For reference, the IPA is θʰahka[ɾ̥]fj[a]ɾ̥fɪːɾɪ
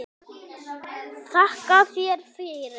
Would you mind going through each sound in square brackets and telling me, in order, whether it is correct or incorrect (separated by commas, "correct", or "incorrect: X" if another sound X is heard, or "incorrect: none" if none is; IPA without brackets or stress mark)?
incorrect: none, incorrect: ɛ